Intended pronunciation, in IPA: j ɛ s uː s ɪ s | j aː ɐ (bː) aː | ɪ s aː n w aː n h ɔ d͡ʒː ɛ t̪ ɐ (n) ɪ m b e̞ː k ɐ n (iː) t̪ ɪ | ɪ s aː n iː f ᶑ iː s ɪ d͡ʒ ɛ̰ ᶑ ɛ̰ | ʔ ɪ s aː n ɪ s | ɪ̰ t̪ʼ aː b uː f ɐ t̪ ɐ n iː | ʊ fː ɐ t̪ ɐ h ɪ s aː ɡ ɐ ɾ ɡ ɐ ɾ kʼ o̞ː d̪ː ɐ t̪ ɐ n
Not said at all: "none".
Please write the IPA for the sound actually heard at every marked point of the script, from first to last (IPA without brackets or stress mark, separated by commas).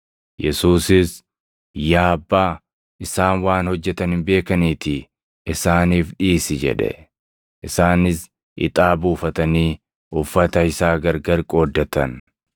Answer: bː, n, iː